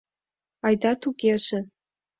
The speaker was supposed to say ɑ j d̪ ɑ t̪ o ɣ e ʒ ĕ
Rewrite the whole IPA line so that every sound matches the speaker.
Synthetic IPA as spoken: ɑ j d̪ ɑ t̪ u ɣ e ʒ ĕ